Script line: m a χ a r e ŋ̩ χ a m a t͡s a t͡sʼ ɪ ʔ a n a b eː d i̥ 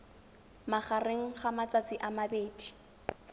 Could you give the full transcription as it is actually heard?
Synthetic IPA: m a χ a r e ŋ̩ χ a m a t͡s a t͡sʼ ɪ ʔ a m a b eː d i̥